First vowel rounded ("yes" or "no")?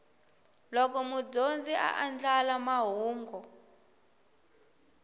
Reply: yes